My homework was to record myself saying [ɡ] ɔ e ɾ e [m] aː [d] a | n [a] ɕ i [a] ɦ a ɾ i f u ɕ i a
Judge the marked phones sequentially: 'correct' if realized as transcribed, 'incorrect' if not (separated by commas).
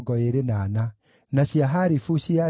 correct, incorrect, incorrect, correct, correct